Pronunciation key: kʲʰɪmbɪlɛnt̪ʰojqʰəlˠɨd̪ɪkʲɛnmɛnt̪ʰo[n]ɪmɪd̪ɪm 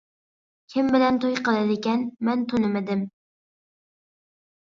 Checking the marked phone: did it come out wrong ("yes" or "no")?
no